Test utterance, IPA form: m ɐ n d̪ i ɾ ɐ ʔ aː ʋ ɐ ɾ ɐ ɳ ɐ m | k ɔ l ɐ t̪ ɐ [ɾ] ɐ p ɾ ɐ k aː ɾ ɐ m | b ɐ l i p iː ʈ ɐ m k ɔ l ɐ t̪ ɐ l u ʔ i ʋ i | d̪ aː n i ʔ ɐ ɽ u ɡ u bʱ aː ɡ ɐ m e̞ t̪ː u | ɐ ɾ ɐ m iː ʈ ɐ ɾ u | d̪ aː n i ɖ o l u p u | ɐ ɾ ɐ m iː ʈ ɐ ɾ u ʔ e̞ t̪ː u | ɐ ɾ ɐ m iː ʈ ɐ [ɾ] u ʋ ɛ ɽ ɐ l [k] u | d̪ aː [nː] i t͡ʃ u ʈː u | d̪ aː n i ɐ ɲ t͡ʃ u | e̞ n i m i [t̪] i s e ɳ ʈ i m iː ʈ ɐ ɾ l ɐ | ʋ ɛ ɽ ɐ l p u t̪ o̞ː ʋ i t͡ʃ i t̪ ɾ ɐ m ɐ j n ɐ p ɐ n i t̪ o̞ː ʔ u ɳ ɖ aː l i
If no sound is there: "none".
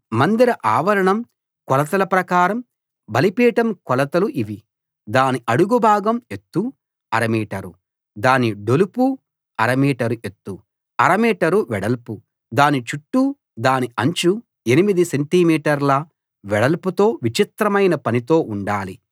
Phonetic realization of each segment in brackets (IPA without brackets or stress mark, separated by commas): l, ɾ, p, n, d̪